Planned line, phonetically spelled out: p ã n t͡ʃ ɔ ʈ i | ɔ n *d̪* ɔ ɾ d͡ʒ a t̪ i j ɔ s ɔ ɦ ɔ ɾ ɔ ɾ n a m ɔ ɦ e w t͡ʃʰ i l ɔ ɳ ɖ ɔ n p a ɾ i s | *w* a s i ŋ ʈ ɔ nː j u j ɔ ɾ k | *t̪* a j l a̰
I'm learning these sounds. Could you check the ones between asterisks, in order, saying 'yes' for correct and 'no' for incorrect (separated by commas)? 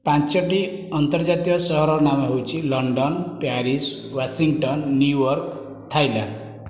no, yes, no